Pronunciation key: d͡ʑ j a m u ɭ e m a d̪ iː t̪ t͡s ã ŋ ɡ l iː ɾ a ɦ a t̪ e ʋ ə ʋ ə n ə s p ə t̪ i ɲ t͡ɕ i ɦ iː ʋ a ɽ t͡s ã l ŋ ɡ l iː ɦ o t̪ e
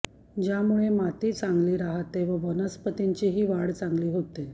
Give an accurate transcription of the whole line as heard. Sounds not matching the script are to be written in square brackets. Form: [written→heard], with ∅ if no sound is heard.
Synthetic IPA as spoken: d͡ʑ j a m u ɭ e m a [d̪→t̪] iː [t̪→∅] t͡s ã ŋ ɡ l iː ɾ a ɦ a t̪ e ʋ ə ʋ ə n ə s p ə t̪ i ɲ t͡ɕ i ɦ iː ʋ a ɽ t͡s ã [l→∅] ŋ ɡ l iː ɦ o t̪ e

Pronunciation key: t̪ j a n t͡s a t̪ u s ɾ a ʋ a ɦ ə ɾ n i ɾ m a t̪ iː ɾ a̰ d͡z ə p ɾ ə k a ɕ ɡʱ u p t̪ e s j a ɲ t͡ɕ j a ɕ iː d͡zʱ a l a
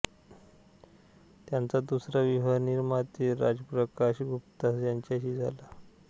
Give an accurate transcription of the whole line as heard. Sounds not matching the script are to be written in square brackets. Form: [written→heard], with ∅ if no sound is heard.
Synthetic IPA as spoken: t̪ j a n t͡s a [t̪→d̪] u s ɾ a ʋ [a→i] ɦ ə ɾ n i ɾ m a t̪ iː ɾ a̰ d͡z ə p ɾ ə k a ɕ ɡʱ u p t̪ [e→a] s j a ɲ t͡ɕ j a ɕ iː d͡zʱ a l a

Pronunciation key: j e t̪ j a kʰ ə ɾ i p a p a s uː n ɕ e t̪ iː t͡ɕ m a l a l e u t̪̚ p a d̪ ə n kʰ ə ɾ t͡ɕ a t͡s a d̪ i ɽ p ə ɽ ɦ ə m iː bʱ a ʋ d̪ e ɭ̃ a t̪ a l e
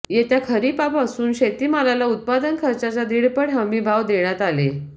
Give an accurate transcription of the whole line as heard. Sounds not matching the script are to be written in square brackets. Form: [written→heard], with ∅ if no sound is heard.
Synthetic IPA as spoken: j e t̪ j a kʰ ə ɾ i p a p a s uː n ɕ e t̪ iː [t͡ɕ→∅] m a l a l [e→a] u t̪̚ p a d̪ ə n kʰ ə ɾ t͡ɕ a t͡s a d̪ i ɽ p ə ɽ ɦ ə m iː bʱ a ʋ d̪ e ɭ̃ a t̪ a l e

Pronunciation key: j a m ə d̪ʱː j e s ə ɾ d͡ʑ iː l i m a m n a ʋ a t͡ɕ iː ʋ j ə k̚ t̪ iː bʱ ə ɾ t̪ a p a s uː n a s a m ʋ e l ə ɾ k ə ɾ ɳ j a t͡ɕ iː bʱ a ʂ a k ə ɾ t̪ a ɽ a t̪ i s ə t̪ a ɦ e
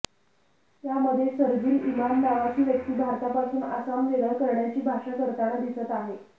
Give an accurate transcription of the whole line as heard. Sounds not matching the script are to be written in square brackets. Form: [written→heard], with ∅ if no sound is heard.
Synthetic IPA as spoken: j a m ə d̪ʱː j e s ə ɾ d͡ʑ iː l i m a m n a ʋ a t͡ɕ iː ʋ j ə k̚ t̪ iː bʱ [ə→a] ɾ t̪ a p a s uː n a s a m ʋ e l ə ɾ k ə ɾ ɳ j a t͡ɕ iː bʱ a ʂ a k ə ɾ t̪ a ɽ a [t̪→d̪] i s ə t̪ a ɦ e

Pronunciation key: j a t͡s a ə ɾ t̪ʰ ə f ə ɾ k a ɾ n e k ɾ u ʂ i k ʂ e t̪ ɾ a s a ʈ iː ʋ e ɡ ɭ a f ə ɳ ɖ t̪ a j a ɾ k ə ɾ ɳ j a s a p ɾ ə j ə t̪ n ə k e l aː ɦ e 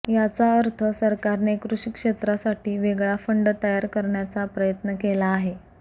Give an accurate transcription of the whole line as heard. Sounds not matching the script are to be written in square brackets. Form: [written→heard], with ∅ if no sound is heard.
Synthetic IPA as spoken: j a t͡s a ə ɾ t̪ʰ ə [f→s] ə ɾ k a ɾ n e k ɾ u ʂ i k ʂ e t̪ ɾ a s a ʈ iː ʋ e ɡ ɭ a f ə ɳ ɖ t̪ [a→ə] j a ɾ k ə ɾ ɳ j a [s→t͡s] a p ɾ ə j ə t̪ n ə k e l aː ɦ e

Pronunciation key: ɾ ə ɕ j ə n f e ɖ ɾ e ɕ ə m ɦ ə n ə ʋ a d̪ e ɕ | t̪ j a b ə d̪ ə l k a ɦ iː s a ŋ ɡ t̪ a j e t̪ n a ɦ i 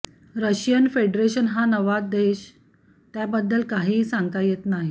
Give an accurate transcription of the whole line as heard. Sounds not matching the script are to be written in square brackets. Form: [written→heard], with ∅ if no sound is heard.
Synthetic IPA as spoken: ɾ ə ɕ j ə n f e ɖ ɾ e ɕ ə [m→n] ɦ [ə→a] n ə ʋ a d̪ e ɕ | t̪ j a b ə [d̪→d̪ː] ə l k a ɦ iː s a ŋ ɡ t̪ a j e t̪ n a ɦ i

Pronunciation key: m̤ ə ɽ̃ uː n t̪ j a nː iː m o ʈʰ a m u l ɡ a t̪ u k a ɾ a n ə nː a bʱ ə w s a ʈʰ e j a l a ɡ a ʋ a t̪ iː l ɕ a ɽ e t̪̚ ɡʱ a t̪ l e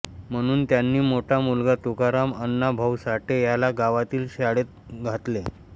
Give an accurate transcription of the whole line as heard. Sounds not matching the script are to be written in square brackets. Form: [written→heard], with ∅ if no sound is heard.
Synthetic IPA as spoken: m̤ ə ɽ̃ uː n t̪ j a nː iː m o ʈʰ a m u l ɡ a t̪ u k a ɾ a [n→m] ə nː a bʱ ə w s a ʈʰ e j a l a ɡ a ʋ a t̪ iː l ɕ a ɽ e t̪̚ ɡʱ a t̪ l e

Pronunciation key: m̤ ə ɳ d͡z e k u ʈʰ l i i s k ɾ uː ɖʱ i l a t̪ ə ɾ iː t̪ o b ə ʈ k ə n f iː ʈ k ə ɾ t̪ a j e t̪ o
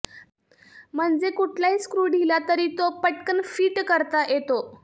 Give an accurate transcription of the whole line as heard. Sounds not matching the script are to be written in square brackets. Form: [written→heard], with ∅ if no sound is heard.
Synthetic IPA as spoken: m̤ ə ɳ d͡z e k u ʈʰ l [i→a] i s k ɾ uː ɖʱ i l a t̪ ə ɾ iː t̪ o [b→p] ə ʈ k ə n f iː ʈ k ə ɾ t̪ a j e t̪ o

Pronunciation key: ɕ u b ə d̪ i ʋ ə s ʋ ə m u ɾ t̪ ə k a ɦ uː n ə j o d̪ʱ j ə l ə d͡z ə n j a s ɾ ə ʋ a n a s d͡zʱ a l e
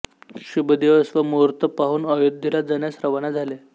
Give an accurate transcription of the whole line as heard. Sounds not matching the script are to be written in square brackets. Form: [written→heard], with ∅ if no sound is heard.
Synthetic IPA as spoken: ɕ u b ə d̪ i ʋ ə s ʋ ə m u ɾ t̪ ə [k→p] a ɦ uː n ə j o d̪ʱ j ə l [ə→a] d͡z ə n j a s ɾ ə ʋ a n a [s→∅] d͡zʱ a l e

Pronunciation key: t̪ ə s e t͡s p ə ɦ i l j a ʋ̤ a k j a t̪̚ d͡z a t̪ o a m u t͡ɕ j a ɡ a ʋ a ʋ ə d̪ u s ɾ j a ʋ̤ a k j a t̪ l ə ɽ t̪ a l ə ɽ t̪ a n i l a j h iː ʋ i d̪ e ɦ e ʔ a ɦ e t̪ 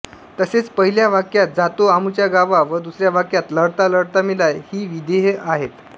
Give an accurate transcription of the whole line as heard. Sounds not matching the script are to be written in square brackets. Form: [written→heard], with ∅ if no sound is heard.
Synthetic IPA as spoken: t̪ ə s e t͡s p ə ɦ i l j a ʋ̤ a k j a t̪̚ d͡z a t̪ o a m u t͡ɕ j a ɡ a ʋ a ʋ ə d̪ u s ɾ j a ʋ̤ a k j a t̪ l ə ɽ t̪ a l ə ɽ t̪ a [n→m] i l a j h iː ʋ i d̪ e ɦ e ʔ a ɦ e t̪

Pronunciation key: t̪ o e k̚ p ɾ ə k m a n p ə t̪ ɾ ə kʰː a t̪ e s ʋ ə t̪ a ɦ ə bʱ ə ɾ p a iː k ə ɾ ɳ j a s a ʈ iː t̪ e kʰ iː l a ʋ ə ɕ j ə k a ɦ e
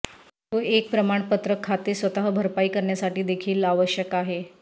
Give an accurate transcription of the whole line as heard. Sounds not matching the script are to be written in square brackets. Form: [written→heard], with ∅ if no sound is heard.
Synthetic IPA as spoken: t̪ o e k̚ p ɾ ə [k→∅] m a [n→ɳ] p ə t̪ ɾ ə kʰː a t̪ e s ʋ ə t̪ a ɦ ə bʱ ə ɾ p a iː k ə ɾ ɳ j a s a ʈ iː [t̪→d̪] e kʰ iː l a ʋ ə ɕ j ə k a ɦ e

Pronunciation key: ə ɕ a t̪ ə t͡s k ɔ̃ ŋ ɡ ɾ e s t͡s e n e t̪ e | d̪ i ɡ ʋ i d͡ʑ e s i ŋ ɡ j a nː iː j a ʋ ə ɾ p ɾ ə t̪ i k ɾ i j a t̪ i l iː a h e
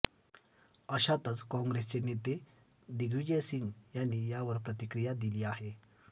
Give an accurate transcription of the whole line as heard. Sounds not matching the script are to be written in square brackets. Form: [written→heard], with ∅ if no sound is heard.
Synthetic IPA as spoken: ə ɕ a t̪ ə t͡s k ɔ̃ ŋ ɡ ɾ e s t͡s e n e t̪ e | d̪ i ɡ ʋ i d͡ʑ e s i ŋ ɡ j a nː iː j a ʋ ə ɾ p ɾ ə t̪ i k ɾ i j a [t̪→d̪] i l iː a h e

